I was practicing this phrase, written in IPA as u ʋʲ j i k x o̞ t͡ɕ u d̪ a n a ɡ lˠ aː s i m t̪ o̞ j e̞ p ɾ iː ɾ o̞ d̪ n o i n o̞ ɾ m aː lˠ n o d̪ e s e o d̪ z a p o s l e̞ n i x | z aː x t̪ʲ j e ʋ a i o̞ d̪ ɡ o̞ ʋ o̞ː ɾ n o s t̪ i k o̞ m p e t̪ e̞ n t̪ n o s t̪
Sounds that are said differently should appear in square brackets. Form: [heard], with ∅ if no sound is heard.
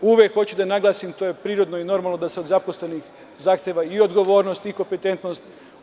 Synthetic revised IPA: u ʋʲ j [e] k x o̞ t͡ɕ u d̪ a n a ɡ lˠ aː s i m t̪ o̞ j e̞ p ɾ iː ɾ o̞ d̪ n o i n o̞ ɾ m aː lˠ n o d̪ [a] s e o d̪ z a p o s l e̞ n i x | z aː x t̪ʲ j e ʋ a i o̞ d̪ ɡ o̞ ʋ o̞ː ɾ n o s t̪ i k o̞ m p e t̪ e̞ n t̪ n o s t̪